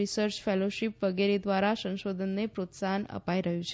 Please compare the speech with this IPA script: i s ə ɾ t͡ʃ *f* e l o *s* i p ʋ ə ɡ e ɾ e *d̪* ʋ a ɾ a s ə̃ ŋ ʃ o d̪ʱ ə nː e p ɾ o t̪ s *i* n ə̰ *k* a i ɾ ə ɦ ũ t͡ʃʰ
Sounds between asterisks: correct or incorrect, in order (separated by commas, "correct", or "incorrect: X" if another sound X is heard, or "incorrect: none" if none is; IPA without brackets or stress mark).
correct, incorrect: ʃ, correct, incorrect: a, incorrect: p